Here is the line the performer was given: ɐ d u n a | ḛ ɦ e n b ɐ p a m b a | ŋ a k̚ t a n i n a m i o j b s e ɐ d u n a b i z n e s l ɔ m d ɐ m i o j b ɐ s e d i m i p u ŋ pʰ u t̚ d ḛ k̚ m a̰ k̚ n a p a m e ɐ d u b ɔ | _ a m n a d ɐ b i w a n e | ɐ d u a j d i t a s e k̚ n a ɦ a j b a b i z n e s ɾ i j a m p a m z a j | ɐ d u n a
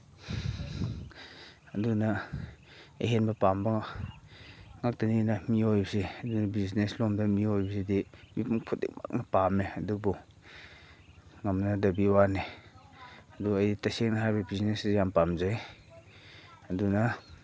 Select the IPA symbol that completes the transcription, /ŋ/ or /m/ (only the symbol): ŋ